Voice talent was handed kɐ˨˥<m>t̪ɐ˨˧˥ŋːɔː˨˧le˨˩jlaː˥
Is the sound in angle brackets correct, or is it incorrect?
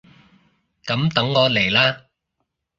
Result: correct